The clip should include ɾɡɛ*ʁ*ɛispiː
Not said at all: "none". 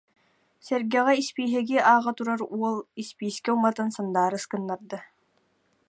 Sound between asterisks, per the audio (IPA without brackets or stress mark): ʁ